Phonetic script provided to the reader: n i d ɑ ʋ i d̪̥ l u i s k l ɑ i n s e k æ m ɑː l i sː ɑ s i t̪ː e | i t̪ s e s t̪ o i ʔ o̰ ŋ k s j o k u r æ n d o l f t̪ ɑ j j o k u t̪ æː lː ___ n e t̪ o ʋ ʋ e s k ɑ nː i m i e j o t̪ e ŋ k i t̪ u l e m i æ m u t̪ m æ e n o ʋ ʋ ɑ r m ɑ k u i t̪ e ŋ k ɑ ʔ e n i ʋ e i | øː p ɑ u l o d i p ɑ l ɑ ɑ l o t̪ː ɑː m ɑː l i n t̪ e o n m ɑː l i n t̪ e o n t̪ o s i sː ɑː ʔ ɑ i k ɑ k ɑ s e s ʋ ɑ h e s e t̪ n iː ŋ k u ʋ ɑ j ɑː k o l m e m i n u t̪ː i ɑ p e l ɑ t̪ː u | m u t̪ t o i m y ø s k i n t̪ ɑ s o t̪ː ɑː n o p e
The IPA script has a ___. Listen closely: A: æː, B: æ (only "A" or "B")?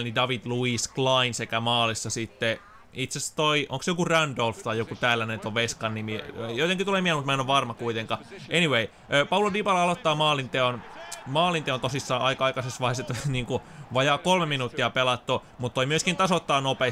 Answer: B